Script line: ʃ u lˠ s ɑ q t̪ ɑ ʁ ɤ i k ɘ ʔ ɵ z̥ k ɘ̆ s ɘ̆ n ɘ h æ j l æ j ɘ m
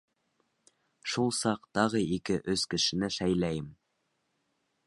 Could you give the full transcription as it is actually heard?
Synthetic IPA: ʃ u lˠ s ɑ q t̪ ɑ ʁ ɤ i k ɘ ʔ ɵ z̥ k ɘ̆ ʃ ɘ̆ n ɘ ʃ æ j l æ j ɘ m